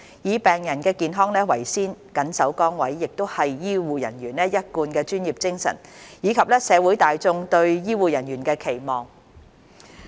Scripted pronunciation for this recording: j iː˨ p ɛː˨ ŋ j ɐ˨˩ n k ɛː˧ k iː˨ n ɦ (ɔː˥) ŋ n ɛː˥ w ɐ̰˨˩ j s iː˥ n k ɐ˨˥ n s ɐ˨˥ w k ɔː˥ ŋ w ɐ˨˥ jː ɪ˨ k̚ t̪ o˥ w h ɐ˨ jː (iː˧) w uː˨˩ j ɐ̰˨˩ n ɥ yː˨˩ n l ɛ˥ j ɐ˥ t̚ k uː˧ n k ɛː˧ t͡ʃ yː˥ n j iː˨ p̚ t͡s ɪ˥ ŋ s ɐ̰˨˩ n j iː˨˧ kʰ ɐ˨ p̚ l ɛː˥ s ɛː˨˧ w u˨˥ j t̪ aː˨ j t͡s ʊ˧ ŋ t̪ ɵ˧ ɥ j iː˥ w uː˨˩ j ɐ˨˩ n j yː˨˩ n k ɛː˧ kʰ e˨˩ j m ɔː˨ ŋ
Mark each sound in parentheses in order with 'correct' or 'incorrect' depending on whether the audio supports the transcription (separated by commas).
correct, incorrect